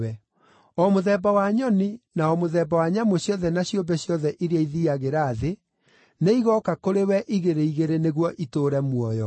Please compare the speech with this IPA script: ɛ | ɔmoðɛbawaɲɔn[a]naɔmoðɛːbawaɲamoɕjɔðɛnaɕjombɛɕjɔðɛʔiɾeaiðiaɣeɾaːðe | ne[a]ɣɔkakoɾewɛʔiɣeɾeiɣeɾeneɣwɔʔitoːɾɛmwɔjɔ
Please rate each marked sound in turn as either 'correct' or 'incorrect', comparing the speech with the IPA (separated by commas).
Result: incorrect, incorrect